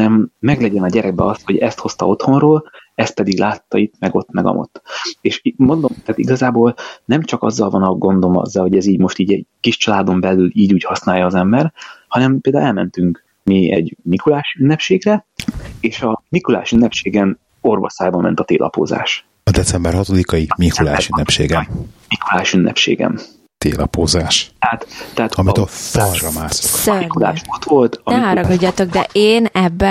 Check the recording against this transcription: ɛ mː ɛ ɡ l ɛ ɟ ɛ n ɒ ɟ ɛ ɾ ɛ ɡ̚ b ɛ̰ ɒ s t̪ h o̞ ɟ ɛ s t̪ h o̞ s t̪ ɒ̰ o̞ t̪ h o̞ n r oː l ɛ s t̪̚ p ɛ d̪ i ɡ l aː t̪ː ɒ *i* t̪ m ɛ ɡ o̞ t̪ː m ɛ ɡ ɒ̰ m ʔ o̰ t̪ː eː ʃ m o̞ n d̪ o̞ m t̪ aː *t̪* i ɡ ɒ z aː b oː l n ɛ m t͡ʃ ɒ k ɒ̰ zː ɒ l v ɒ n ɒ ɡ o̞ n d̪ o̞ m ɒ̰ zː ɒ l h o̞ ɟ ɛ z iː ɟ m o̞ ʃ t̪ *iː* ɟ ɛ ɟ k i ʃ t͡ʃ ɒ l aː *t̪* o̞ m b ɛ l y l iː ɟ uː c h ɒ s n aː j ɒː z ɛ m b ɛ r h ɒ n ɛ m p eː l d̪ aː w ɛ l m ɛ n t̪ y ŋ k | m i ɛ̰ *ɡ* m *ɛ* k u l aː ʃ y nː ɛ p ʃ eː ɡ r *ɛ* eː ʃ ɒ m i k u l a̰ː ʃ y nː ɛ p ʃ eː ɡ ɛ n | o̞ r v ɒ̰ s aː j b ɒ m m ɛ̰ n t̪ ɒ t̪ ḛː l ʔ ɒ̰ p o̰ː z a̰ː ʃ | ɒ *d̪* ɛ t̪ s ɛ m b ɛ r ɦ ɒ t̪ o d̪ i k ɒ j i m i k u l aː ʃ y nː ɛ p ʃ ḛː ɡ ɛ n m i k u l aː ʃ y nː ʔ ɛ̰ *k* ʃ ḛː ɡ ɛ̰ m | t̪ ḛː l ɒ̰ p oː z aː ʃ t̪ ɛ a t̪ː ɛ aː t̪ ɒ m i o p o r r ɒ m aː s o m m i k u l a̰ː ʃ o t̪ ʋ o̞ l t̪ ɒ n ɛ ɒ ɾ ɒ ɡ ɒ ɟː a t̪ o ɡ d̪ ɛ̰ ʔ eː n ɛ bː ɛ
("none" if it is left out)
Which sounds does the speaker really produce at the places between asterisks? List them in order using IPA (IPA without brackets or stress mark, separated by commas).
i, t̪, iː, d̪, ɟ, i, ɛ, d̪, p